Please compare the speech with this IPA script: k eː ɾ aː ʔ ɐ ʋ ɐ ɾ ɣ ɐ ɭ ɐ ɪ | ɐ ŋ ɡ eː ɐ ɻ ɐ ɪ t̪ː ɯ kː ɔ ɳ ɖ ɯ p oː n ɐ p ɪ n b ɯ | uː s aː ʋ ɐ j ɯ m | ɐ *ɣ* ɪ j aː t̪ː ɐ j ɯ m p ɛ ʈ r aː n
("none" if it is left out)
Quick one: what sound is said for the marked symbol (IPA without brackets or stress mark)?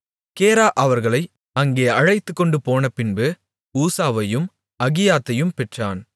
ɣ